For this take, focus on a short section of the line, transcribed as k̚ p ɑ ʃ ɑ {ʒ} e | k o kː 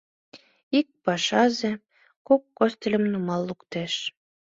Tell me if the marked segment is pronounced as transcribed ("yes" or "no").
no